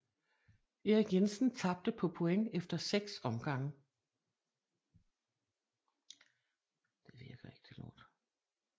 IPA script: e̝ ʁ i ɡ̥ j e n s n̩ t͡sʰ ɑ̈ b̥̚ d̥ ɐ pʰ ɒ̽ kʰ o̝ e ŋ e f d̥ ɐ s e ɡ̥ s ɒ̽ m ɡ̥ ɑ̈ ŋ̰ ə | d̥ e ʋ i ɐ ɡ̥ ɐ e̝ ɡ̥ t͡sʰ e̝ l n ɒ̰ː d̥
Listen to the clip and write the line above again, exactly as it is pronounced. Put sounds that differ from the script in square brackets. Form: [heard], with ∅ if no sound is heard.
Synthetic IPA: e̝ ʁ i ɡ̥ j e n s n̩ t͡sʰ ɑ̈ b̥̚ d̥ [ə] pʰ ɒ̽ [pʰ] o̝ e ŋ e f d̥ ɐ s e ɡ̥ s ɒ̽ m ɡ̥ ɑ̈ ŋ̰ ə | d̥ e ʋ i ɐ ɡ̥ ɐ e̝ ɡ̥ t͡sʰ e̝ l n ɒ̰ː d̥